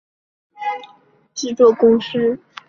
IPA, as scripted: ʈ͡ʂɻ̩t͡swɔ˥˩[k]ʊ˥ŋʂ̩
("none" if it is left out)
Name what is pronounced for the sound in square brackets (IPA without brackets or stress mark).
k